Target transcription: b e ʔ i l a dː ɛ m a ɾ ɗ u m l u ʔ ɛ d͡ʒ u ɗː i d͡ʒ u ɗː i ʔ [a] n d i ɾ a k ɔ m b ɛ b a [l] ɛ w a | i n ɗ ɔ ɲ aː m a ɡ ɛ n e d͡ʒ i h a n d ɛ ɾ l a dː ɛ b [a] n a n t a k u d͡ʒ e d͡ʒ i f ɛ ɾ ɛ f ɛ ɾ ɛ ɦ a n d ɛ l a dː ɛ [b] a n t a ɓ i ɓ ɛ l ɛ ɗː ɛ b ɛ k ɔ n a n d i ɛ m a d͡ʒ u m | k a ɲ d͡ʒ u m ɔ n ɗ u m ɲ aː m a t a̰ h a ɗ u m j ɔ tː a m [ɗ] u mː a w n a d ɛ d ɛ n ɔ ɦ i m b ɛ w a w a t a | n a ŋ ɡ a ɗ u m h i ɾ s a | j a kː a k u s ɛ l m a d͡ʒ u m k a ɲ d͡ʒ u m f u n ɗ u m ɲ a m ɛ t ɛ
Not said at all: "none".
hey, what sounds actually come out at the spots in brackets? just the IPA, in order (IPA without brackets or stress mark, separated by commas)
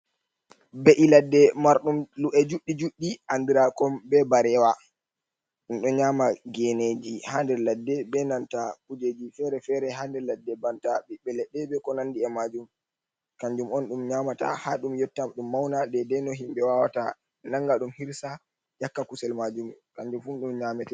a, ɾ, ɛ, b, ɗ